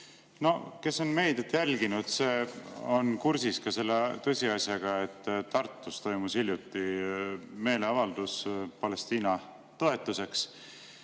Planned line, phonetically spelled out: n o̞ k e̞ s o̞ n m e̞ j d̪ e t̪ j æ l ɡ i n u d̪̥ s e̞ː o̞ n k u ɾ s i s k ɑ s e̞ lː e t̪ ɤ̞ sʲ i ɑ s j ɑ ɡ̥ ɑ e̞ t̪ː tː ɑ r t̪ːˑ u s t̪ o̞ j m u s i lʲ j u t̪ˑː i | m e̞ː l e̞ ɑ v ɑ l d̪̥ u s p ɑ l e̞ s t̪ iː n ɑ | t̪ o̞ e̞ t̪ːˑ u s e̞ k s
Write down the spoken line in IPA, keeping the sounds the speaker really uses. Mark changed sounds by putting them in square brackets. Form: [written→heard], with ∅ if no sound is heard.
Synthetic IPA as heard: n o̞ k e̞ s o̞ n m e̞ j d̪ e t̪ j æ l ɡ i n u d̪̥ s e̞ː o̞ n k u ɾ s i s k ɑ s e̞ lː e t̪ ɤ̞ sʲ i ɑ s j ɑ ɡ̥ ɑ e̞ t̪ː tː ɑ r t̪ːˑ u s t̪ o̞ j m u s i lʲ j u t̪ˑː i | m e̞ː l e̞ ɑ v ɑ l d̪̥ u s p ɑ l e̞ s t̪ iː n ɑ | t̪ o̞ e̞ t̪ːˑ u s e̞ k s